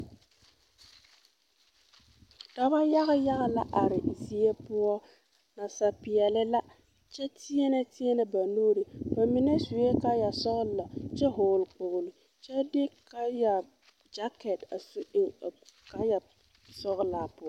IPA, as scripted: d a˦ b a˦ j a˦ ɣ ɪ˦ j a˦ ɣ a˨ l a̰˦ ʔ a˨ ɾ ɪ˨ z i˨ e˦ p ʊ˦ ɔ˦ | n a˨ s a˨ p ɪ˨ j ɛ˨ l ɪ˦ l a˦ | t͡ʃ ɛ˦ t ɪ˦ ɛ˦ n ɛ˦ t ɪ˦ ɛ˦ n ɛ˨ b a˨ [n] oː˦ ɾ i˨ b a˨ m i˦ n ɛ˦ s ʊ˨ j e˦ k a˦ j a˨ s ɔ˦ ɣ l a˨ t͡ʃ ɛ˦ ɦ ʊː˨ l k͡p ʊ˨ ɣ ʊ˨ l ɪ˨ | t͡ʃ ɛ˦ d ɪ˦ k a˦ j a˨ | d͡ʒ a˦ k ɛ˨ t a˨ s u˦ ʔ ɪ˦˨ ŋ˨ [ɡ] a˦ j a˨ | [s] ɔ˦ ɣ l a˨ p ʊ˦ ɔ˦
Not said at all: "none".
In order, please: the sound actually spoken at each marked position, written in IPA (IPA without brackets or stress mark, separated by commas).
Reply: n, k, s